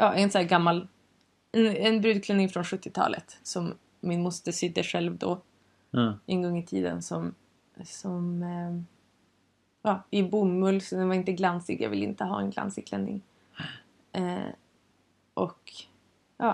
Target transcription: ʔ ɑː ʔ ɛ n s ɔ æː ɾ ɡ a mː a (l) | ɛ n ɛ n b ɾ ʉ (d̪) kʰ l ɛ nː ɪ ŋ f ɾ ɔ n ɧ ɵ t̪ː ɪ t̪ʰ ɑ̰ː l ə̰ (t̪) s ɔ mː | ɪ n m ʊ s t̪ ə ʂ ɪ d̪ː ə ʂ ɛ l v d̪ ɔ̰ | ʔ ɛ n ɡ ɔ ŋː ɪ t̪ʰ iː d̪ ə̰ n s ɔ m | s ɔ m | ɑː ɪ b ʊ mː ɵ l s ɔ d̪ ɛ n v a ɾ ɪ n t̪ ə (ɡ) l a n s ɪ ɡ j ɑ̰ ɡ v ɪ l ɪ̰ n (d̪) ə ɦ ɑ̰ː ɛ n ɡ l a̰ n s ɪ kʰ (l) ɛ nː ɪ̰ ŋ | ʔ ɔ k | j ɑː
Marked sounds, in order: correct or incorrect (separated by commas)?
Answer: correct, correct, correct, correct, incorrect, correct